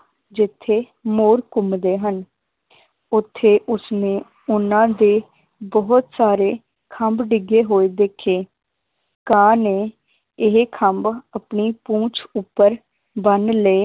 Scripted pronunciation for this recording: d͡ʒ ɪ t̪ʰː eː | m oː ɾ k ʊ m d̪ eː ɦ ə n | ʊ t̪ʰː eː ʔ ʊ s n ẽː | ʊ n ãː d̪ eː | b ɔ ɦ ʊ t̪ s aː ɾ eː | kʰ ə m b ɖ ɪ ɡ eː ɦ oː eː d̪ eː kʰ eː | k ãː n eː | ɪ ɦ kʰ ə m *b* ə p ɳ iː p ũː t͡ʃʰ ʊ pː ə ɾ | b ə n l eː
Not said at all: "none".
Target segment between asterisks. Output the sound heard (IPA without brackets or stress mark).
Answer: b